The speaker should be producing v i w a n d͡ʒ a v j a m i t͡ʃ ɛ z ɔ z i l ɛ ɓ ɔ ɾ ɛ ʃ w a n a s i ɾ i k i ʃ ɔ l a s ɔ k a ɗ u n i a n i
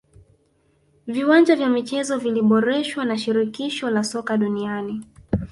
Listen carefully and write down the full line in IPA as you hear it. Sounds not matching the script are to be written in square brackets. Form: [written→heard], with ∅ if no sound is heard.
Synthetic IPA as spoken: v i w a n d͡ʒ a v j a m i t͡ʃ ɛ z ɔ [z→v] i l [ɛ→i] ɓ ɔ ɾ ɛ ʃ w a n a [s→ʃ] i ɾ i k i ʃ ɔ l a s ɔ k a ɗ u n i a n i